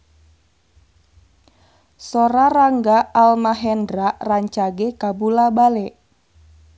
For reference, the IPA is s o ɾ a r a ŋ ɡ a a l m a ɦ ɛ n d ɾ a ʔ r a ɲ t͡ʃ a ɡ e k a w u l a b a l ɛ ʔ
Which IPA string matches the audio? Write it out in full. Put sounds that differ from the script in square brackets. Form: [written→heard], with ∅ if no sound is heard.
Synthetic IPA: s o ɾ a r a ŋ ɡ a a l m a ɦ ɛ n d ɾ a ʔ r a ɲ t͡ʃ a ɡ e k a [w→b] u l a b a l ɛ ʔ